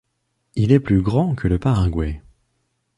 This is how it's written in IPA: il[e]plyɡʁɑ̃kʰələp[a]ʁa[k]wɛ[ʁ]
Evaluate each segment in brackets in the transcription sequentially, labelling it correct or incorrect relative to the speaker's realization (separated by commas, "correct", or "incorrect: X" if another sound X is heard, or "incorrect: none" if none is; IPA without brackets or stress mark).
incorrect: ɛ, correct, incorrect: ɡ, incorrect: none